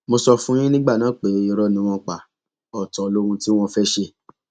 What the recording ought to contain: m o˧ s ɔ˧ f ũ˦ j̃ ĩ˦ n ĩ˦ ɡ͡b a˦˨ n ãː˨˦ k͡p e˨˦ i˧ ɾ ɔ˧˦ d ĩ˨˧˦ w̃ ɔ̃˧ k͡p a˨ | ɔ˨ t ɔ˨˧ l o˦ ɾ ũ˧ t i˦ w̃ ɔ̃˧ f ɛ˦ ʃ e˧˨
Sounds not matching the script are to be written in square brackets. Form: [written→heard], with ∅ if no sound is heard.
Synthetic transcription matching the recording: m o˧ s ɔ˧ f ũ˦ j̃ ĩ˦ n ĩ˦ ɡ͡b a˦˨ n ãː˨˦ k͡p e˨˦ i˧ ɾ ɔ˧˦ [d→n] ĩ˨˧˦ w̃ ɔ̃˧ k͡p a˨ | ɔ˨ t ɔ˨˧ l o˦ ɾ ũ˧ t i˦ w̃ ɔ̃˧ f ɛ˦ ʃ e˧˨